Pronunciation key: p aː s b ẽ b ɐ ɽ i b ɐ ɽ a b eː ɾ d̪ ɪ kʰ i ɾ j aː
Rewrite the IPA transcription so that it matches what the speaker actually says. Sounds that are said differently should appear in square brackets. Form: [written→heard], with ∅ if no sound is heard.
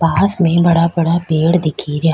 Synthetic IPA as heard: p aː s [b→m] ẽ b ɐ ɽ [i→a] b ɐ ɽ a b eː [ɾ→ɽ] d̪ ɪ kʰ i ɾ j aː